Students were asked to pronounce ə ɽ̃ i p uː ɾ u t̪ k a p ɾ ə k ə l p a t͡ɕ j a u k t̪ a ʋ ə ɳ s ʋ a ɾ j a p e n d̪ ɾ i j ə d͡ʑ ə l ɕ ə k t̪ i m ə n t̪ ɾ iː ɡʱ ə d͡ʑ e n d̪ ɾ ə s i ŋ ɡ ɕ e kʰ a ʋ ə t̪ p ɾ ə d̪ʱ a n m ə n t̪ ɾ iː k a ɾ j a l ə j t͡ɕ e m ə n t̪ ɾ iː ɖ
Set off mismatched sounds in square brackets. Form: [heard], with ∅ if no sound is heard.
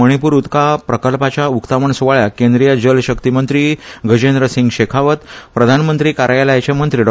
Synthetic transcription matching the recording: ə ɽ̃ i p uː ɾ u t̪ k a p ɾ ə k ə l p a t͡ɕ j a u k t̪ a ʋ ə ɳ s ʋ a [ɭ] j a [k] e n d̪ ɾ i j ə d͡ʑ ə l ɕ ə k t̪ i m ə n t̪ ɾ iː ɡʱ ə d͡ʑ e n d̪ ɾ ə s i ŋ ɡ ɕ e kʰ a ʋ ə t̪ p ɾ ə d̪ʱ a n m ə n t̪ ɾ iː k a ɾ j a l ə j t͡ɕ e m ə n t̪ ɾ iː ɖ